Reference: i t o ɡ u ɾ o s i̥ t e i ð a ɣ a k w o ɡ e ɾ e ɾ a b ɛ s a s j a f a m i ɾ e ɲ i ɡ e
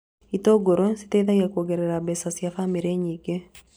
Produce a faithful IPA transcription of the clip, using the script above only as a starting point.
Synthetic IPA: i t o ɡ o ɾ o s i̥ t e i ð a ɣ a k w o ɡ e ɾ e ɾ a b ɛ s a s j a f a m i ɾ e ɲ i ɡ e